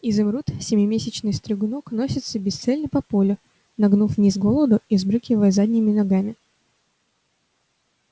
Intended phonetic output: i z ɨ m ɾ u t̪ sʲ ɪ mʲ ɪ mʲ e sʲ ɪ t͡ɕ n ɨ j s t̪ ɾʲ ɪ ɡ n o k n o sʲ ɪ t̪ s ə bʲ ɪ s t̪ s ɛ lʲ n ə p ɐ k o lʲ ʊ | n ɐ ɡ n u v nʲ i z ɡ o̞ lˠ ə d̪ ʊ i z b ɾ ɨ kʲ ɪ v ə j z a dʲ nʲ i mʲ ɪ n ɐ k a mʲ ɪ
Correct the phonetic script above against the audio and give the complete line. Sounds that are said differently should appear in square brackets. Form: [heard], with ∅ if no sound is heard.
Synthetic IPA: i z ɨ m ɾ u t̪ sʲ ɪ mʲ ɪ mʲ e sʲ ɪ t͡ɕ n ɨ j s t̪ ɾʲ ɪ ɡ n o k n o sʲ ɪ t̪ s ə bʲ ɪ s t̪ s ɛ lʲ n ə p ɐ [p] o lʲ ʊ | n ɐ ɡ n u [f] nʲ i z ɡ o̞ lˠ ə d̪ ʊ i z b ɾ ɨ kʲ ɪ v ə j z a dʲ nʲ [ɪ] mʲ ɪ n ɐ [ɡ] a mʲ ɪ